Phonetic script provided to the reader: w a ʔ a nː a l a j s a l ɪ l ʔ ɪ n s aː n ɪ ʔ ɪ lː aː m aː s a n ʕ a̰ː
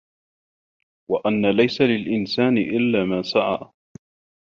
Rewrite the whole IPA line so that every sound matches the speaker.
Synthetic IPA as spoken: w a ʔ a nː a l a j s a l ɪ l ʔ ɪ n s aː n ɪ ʔ ɪ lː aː m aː s a ʕ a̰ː